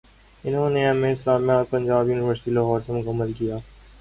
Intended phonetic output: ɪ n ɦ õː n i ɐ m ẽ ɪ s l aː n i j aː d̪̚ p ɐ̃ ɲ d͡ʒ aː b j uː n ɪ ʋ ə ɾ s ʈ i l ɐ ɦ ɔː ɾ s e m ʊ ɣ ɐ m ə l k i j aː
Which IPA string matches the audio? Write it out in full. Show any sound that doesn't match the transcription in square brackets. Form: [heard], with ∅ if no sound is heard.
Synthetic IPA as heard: ɪ n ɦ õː n [e] ɐ m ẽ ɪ s l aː [m] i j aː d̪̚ p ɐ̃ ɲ d͡ʒ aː b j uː n ɪ ʋ ə ɾ s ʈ i l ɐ ɦ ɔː ɾ s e m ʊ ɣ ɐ m ə l k i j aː